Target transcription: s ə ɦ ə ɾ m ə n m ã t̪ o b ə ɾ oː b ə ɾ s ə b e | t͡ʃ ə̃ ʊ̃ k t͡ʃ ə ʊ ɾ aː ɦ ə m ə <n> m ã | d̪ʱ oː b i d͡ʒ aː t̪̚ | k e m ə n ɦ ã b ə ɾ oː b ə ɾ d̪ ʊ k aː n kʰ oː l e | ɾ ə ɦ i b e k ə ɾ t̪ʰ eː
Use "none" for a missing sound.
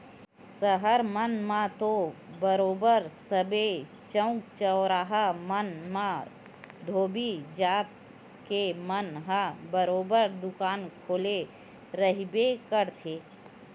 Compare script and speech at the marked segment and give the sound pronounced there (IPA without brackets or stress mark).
n